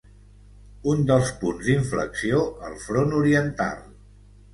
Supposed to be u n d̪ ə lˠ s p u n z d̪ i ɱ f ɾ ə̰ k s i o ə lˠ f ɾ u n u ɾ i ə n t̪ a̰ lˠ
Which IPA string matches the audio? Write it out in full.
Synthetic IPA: u n d̪ ə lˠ s p u n z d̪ i ɱ f l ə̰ k s i o ə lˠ f ɾ o n u ɾ i ə n t̪ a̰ lˠ